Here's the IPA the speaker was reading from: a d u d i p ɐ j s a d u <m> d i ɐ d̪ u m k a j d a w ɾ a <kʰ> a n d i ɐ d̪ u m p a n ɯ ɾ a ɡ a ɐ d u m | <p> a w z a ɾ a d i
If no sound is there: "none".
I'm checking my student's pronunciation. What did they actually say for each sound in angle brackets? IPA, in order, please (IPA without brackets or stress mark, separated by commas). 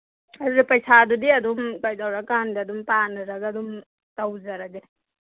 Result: none, k, t